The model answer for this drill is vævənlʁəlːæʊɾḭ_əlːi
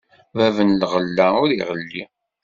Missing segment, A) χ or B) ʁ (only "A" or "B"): B